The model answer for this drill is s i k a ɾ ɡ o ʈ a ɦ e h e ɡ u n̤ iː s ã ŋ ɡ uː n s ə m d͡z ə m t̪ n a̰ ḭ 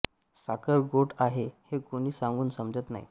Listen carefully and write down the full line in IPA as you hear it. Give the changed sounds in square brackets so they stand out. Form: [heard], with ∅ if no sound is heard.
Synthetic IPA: s [a] k [ə] ɾ ɡ o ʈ a ɦ e h e [k] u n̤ iː s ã ŋ ɡ uː n s ə m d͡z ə [∅] t̪ n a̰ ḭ